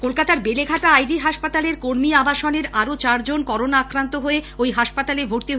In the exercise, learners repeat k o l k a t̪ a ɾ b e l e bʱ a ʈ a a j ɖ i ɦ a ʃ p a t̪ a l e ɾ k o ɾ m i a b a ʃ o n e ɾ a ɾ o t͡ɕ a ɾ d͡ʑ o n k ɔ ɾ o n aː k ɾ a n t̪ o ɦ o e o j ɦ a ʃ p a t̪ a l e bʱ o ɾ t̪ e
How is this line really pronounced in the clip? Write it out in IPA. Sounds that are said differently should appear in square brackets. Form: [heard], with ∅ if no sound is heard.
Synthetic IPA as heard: k o l k a t̪ a ɾ b e l e [ɡʱ] a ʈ a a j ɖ i ɦ a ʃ p a t̪ a l e ɾ k o ɾ m i a b a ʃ o n e ɾ a ɾ o t͡ɕ a ɾ d͡ʑ o n k ɔ ɾ o n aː k ɾ a n t̪ o ɦ o e o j ɦ a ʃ p a t̪ a l e bʱ o ɾ t̪ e